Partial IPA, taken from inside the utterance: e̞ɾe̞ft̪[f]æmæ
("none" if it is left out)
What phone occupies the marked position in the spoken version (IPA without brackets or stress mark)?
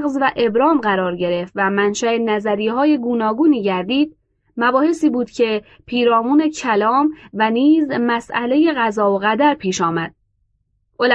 v